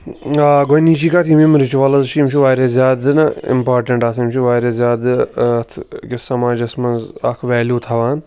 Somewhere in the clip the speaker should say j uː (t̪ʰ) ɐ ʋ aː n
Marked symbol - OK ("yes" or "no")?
yes